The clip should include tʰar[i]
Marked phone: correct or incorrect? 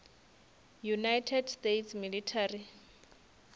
correct